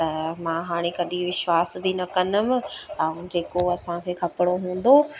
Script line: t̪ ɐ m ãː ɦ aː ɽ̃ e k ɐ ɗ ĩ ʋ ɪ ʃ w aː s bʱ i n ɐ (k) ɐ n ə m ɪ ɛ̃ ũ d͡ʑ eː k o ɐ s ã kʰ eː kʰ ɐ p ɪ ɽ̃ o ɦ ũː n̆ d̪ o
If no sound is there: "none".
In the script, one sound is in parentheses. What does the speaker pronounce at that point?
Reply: k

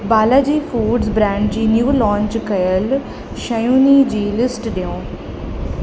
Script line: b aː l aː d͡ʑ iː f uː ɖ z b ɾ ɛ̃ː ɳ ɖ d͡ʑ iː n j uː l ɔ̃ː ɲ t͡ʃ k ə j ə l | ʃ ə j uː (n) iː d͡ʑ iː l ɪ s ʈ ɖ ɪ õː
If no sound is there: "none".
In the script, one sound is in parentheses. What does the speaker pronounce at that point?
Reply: n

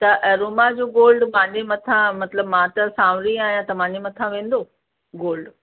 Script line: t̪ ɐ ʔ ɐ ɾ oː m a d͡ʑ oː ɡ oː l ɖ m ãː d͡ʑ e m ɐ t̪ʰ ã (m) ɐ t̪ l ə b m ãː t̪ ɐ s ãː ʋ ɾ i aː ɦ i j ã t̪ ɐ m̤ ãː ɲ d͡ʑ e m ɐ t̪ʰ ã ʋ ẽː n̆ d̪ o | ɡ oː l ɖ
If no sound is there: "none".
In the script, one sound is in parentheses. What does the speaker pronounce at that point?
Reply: m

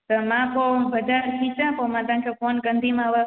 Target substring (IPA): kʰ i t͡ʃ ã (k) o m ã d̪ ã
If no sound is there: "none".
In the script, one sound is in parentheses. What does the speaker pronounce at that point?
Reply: p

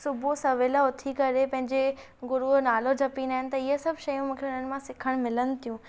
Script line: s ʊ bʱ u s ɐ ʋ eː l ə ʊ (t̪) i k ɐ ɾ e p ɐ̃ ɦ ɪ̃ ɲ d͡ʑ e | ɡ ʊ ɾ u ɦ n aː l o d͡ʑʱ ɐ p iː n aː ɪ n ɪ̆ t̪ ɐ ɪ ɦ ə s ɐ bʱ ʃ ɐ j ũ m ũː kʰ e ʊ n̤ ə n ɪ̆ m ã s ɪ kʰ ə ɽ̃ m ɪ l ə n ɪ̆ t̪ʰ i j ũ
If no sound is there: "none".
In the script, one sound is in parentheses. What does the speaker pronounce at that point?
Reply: t̪ʰ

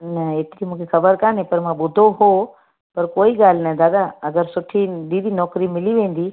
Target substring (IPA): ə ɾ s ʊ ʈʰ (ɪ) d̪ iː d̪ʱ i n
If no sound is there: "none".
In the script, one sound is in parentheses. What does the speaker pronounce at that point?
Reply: i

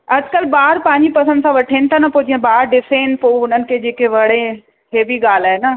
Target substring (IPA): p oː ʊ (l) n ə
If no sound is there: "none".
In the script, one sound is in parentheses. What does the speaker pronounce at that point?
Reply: none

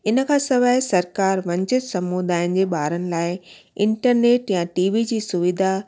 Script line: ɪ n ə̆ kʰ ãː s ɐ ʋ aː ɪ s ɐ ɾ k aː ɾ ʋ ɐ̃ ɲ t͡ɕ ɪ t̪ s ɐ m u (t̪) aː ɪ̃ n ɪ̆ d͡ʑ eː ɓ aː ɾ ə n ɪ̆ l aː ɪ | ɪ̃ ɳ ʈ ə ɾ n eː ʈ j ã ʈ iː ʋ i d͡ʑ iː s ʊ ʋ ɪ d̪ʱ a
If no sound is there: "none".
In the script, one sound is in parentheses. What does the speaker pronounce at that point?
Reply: d̪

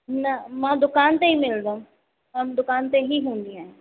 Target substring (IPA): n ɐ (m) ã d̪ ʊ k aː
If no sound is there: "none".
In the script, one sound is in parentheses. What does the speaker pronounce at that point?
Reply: m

